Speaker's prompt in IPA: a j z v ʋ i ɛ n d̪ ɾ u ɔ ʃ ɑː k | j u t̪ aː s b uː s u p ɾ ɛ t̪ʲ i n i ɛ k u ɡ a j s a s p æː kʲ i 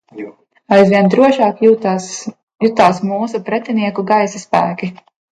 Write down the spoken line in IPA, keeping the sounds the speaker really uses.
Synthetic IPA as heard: a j z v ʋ i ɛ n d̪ ɾ u ɔ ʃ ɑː k | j u t̪ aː s m uː s u p ɾ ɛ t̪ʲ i n i ɛ k u ɡ a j s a s p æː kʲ i